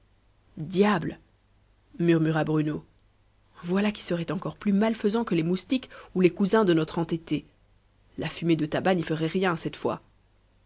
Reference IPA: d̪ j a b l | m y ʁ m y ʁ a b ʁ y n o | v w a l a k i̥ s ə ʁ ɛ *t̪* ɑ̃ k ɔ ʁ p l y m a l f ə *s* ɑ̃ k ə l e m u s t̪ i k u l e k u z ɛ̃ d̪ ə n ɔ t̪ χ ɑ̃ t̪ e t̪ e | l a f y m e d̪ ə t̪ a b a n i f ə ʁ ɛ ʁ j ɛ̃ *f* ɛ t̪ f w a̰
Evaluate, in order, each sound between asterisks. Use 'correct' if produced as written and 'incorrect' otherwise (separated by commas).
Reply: correct, incorrect, incorrect